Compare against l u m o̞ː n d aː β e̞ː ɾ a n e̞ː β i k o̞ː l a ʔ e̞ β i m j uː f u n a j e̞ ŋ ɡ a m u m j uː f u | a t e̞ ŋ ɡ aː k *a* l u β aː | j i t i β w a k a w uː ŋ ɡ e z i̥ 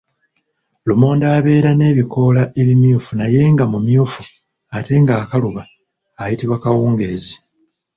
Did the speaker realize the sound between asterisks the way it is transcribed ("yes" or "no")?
yes